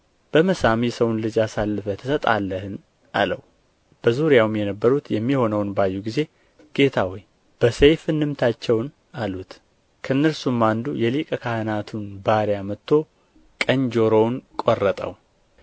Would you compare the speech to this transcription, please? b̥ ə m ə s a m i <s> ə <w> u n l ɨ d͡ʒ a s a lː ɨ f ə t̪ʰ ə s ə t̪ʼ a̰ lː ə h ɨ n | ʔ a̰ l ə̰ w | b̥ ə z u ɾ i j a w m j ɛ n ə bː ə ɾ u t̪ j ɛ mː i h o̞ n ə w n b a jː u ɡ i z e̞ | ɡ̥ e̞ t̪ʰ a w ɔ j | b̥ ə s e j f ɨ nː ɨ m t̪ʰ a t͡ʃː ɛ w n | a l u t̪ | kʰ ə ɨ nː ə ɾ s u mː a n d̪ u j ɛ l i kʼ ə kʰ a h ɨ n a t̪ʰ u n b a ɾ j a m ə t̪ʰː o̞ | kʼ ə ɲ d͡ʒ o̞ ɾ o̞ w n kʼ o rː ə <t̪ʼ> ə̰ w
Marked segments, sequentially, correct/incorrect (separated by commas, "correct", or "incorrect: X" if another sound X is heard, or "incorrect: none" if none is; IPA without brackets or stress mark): correct, correct, correct